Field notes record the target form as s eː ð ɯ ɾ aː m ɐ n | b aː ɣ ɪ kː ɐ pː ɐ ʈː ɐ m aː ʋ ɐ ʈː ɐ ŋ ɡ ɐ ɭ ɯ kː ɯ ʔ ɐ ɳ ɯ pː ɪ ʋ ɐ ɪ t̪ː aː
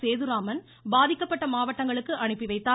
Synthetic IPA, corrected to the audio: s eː ð ɯ ɾ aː m ɐ n | b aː ð ɪ kː ɐ pː ɐ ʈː ɐ m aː ʋ ɐ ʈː ɐ ŋ ɡ ɐ ɭ ɯ kː ɯ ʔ ɐ ɳ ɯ pː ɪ ʋ ɐ ɪ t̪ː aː